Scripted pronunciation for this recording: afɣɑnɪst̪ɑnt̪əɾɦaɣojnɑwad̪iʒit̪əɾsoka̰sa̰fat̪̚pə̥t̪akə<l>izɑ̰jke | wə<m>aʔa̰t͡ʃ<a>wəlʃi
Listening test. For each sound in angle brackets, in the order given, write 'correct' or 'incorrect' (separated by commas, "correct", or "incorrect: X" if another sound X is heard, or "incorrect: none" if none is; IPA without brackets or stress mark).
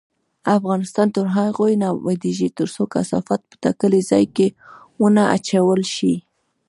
correct, incorrect: n, correct